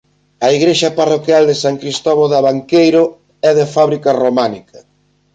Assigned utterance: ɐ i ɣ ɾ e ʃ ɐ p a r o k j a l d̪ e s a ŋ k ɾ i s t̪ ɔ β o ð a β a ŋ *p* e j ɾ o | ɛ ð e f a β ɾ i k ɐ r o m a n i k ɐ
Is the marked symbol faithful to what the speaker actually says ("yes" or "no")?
no